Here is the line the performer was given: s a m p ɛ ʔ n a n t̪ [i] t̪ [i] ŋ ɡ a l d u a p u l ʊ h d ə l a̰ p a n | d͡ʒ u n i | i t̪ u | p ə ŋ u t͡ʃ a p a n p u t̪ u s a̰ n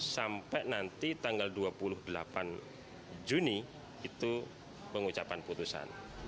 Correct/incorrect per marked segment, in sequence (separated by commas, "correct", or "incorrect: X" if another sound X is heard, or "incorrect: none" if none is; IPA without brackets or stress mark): correct, incorrect: a